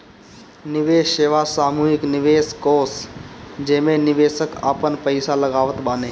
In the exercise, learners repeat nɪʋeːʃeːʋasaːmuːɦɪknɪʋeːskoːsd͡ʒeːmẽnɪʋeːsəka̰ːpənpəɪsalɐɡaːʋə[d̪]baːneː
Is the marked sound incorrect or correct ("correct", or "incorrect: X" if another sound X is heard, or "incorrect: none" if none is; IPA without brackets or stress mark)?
incorrect: t̪